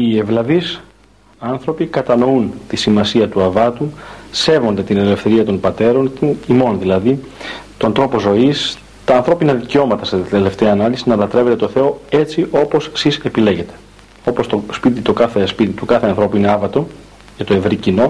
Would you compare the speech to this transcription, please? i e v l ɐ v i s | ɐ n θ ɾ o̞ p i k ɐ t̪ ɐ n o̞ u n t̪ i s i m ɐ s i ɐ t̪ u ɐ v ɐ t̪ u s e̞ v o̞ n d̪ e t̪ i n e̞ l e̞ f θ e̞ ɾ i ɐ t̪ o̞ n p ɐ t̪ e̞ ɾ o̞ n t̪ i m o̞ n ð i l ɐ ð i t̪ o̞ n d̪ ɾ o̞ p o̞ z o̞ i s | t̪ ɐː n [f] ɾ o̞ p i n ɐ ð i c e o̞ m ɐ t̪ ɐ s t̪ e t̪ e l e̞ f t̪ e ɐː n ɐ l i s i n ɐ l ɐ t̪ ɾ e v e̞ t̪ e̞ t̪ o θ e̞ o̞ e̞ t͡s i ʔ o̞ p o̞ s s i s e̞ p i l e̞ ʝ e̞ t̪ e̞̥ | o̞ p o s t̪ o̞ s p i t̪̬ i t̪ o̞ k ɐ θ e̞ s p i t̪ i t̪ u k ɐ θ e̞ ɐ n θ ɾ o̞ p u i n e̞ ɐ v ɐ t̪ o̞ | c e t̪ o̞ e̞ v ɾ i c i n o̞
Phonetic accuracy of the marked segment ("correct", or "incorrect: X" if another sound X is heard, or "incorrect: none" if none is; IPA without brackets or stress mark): incorrect: θ